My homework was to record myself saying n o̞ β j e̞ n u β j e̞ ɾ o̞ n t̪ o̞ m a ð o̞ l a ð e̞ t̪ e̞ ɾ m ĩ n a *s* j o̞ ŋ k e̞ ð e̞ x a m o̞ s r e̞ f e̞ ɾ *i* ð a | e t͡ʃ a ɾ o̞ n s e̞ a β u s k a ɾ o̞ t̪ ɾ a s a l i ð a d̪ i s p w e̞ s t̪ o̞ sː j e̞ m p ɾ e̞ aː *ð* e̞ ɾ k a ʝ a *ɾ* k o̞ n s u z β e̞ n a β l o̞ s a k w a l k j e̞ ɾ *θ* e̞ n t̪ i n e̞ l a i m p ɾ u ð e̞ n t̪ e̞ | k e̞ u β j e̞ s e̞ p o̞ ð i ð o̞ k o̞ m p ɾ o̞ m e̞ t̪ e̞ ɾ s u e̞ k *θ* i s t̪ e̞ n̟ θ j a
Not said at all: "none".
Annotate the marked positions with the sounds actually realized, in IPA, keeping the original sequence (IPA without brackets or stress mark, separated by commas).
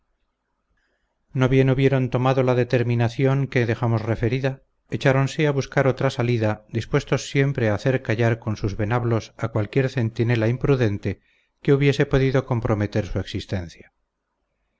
θ, i, θ, ɾ, θ, s